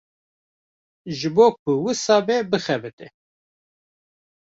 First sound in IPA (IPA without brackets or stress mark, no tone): ʒ